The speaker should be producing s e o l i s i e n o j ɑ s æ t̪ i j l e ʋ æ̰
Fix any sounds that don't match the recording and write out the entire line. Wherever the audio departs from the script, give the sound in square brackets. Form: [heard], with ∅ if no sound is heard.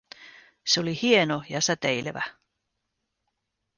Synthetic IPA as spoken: s e o l i [h] i e n o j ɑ s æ t̪ [e] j l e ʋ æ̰